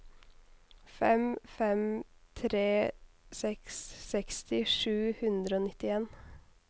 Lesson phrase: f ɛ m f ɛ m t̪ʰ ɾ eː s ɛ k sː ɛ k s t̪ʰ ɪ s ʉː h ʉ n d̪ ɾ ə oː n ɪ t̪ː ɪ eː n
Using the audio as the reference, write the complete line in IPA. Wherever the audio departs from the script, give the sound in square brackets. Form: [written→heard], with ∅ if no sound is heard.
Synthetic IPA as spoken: f ɛ m f ɛ m t̪ʰ ɾ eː s ɛ k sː ɛ k s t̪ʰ ɪ [s→ʂ] ʉː h ʉ n d̪ ɾ ə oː n ɪ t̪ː ɪ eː n

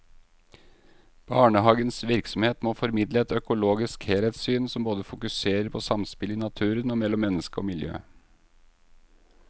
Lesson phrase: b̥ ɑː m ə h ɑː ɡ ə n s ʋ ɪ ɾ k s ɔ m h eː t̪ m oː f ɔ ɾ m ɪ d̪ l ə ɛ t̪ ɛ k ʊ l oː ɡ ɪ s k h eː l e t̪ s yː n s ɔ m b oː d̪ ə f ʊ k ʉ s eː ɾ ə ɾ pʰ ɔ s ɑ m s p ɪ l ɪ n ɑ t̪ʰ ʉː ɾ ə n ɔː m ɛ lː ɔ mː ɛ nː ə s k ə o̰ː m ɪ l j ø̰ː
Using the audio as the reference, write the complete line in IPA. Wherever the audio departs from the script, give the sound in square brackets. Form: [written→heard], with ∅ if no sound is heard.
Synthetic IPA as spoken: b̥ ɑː [m→ɳ] ə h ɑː ɡ ə n s ʋ ɪ ɾ k s ɔ m h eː t̪ m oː f ɔ ɾ m ɪ d̪ l ə ɛ t̪ [ɛ→œ] k ʊ l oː ɡ ɪ s k h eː l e t̪ s yː n s ɔ m b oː d̪ ə f ʊ k ʉ s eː ɾ ə ɾ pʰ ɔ s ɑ m s p ɪ l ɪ n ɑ t̪ʰ ʉː ɾ ə n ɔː m ɛ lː ɔ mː ɛ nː ə s k ə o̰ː m ɪ l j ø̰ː

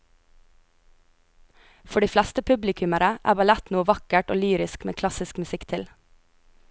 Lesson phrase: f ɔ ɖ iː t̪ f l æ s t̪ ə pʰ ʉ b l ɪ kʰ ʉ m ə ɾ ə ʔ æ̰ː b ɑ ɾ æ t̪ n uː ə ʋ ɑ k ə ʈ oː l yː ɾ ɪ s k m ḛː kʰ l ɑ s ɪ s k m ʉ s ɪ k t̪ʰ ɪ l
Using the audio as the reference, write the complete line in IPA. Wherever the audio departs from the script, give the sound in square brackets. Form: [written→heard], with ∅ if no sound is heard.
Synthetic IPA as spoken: f ɔ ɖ iː [t̪→∅] f l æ s t̪ ə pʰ ʉ b l ɪ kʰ ʉ m ə ɾ ə ʔ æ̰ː b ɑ [ɾ→l] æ t̪ n uː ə ʋ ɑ k ə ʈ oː l yː ɾ ɪ s k m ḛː kʰ l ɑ s ɪ s k m ʉ s ɪ k t̪ʰ ɪ l

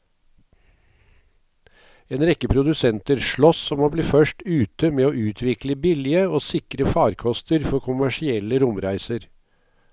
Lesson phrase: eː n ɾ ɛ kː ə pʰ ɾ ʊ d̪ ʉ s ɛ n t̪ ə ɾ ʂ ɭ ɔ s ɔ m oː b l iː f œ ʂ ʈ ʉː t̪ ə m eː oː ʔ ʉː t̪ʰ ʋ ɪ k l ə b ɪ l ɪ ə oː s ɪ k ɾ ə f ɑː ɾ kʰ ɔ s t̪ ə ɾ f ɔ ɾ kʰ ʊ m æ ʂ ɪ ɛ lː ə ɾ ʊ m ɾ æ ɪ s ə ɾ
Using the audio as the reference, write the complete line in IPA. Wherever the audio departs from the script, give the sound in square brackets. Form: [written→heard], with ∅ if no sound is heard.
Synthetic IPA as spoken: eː n ɾ ɛ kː ə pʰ ɾ ʊ d̪ ʉ s ɛ n t̪ ə ɾ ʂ ɭ ɔ s ɔ m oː b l iː f œ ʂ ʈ ʉː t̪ ə m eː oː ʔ ʉː t̪ʰ ʋ ɪ k l ə b ɪ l ɪ ə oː s ɪ k ɾ ə f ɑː ɾ kʰ ɔ s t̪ ə ɾ f ɔ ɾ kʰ ʊ m æ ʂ ɪ ɛ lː ə ɾ ʊ m ɾ æ ɪ s ə ɾ

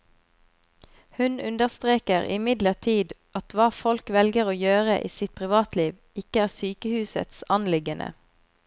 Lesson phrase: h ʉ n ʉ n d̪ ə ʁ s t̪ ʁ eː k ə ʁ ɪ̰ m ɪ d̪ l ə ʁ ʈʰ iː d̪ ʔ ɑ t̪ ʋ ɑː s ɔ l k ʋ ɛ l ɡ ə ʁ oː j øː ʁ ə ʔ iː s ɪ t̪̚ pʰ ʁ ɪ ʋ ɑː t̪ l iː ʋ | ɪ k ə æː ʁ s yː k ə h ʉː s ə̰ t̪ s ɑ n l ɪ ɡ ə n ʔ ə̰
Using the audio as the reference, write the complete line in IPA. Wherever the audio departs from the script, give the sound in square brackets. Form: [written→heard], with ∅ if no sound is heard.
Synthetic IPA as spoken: h ʉ n ʉ n d̪ ə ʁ s t̪ ʁ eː k ə ʁ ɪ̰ m ɪ d̪ l ə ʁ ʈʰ iː d̪ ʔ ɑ t̪ ʋ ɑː [s→f] ɔ l k ʋ ɛ l ɡ ə ʁ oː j øː ʁ ə ʔ iː s ɪ t̪̚ pʰ ʁ ɪ ʋ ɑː t̪ l iː ʋ | ɪ k ə æː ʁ s yː k ə h ʉː s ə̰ t̪ s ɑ n l ɪ ɡ ə n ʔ ə̰

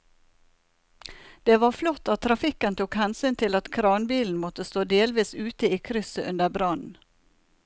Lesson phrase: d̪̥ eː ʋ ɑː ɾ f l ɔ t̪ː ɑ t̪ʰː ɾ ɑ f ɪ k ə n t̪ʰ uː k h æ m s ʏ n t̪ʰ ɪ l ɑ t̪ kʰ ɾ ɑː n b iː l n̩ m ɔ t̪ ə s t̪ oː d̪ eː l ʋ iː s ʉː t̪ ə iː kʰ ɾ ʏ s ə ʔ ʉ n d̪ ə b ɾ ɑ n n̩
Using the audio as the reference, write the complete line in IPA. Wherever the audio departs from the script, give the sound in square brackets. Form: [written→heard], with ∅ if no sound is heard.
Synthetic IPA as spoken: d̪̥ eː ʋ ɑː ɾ f l ɔ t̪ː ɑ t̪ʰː ɾ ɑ f ɪ k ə n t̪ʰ uː k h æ [m→n] s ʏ n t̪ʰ ɪ l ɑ t̪ kʰ ɾ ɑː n b iː l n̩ m ɔ t̪ ə s t̪ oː d̪ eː l ʋ iː s ʉː t̪ ə iː kʰ ɾ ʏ s ə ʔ ʉ n d̪ ə b ɾ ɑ n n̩

